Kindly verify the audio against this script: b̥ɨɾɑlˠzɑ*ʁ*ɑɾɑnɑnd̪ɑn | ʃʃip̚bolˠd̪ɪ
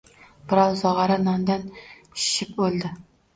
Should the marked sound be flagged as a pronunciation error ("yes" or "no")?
no